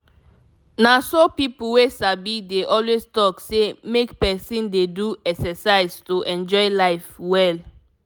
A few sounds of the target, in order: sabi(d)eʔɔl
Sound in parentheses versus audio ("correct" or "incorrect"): correct